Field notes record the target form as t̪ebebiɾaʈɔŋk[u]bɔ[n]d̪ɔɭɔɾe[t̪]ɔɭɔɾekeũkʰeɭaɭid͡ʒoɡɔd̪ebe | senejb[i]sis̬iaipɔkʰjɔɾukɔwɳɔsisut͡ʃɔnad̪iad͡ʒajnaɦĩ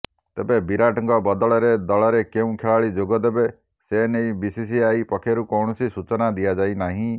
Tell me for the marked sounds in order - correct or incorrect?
incorrect: ɔ, incorrect: none, incorrect: d̪, correct

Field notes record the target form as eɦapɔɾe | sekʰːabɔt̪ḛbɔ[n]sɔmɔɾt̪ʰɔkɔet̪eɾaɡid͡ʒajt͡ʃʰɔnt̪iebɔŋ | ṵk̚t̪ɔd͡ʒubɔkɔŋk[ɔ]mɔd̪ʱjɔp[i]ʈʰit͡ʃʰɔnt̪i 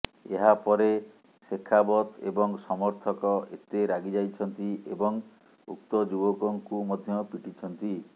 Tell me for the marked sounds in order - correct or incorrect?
incorrect: ŋ, incorrect: u, correct

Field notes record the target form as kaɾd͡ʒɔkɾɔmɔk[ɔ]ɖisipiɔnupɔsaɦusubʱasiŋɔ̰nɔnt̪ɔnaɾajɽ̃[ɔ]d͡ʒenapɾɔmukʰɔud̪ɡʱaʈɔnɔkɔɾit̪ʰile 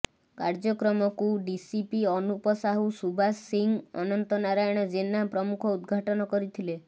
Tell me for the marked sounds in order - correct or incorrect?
incorrect: u, correct

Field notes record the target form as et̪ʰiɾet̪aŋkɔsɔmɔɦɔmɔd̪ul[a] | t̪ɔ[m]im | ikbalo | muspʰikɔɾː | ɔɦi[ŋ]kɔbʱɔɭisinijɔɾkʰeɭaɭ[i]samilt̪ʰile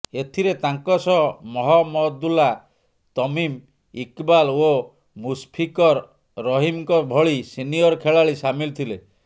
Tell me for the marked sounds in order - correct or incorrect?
correct, correct, incorrect: m, correct

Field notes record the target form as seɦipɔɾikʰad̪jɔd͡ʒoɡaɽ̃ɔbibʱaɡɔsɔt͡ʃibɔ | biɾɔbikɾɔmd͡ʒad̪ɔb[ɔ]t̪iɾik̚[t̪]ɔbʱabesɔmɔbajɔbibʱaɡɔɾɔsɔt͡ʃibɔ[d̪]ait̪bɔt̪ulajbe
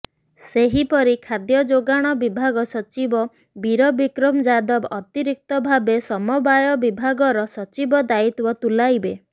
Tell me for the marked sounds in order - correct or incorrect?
correct, correct, correct

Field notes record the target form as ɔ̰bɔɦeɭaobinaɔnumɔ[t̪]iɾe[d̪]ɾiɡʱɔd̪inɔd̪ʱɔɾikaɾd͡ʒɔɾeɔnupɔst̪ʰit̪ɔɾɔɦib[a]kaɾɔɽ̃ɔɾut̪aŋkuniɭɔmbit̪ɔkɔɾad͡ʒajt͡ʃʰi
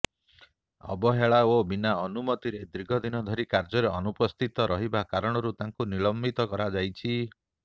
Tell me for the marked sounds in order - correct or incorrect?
correct, correct, correct

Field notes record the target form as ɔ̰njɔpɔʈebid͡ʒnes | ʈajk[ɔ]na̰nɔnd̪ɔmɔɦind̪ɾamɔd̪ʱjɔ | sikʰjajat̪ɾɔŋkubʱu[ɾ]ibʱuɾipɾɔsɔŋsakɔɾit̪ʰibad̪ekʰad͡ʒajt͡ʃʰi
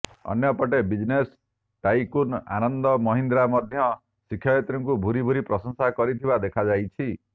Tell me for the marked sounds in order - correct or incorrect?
incorrect: u, correct

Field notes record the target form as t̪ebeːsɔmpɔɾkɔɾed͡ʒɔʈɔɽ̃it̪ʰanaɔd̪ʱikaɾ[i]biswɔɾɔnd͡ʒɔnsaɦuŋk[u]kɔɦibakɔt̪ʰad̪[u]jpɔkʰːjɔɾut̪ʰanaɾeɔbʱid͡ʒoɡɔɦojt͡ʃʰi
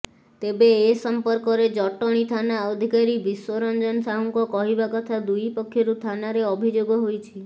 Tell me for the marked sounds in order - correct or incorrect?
correct, incorrect: ɔ, correct

